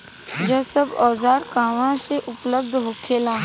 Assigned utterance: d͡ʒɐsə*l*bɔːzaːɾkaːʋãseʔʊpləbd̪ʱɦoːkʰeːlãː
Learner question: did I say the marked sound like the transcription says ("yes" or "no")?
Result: no